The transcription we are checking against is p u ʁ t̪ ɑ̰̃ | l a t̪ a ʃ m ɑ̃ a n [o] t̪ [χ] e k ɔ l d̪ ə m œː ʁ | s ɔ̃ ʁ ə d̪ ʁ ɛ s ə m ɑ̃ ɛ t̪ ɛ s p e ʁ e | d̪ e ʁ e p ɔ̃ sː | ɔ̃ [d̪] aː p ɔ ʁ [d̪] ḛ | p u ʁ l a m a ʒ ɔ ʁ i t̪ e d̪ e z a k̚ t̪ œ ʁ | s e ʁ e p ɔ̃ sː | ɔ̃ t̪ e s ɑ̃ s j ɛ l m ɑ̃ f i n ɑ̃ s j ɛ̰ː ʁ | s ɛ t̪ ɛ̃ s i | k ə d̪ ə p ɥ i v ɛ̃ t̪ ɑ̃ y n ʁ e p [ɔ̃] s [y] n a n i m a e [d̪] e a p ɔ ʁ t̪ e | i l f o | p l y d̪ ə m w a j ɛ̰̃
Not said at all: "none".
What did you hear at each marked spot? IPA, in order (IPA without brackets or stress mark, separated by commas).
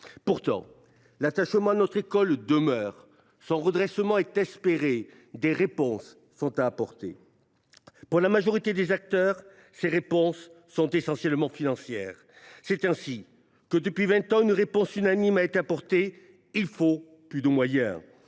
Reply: ɔ, χ, t̪, t̪, ɔ̃, y, t̪